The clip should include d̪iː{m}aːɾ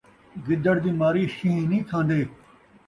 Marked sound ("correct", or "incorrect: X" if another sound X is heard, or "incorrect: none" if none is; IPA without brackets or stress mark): correct